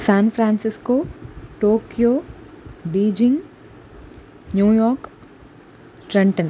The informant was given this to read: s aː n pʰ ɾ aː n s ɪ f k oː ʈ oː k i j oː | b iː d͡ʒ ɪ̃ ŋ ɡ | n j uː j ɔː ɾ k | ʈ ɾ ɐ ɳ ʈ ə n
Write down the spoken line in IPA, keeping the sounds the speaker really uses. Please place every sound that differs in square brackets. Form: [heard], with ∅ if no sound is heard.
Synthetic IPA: s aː n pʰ ɾ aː n s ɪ [s] k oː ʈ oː k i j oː | b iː d͡ʒ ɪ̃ ŋ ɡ | n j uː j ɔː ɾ k | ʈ ɾ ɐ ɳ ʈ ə n